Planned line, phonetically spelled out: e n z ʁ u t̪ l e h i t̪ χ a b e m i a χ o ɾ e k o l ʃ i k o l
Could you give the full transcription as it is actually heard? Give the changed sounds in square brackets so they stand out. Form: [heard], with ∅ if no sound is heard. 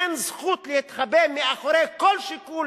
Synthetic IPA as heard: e n z [χ] u t̪ l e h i t̪ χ a b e m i a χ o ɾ e k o l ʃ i k [u] l